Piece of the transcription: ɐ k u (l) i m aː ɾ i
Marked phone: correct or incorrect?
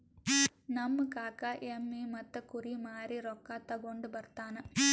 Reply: incorrect: ɾ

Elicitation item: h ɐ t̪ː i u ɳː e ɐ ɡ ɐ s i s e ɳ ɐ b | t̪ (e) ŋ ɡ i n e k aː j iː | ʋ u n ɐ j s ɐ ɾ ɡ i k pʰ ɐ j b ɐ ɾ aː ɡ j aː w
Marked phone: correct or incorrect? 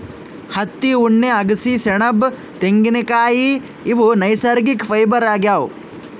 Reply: correct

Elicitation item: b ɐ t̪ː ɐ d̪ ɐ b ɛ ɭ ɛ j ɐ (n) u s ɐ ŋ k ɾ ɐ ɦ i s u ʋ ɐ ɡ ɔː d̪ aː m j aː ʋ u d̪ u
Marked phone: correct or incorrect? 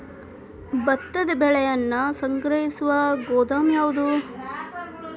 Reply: incorrect: nː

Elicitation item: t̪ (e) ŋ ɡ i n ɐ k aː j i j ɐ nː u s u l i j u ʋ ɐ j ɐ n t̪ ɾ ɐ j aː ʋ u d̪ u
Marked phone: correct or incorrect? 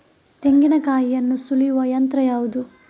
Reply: correct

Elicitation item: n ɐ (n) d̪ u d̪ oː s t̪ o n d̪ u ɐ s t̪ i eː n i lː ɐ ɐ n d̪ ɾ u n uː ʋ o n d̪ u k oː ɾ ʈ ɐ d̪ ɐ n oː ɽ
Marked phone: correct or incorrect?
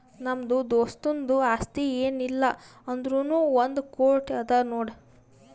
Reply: incorrect: m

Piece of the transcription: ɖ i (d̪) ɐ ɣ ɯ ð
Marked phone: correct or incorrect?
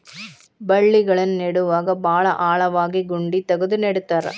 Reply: incorrect: t̪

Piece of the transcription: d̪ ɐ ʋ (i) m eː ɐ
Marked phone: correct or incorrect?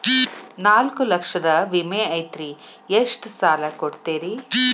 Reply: correct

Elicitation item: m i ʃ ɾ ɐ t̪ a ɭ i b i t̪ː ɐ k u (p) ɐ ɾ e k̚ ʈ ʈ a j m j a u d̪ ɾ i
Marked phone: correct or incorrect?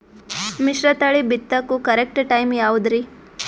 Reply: incorrect: k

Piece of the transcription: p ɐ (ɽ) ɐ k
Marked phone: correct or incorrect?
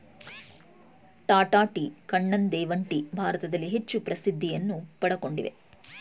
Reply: correct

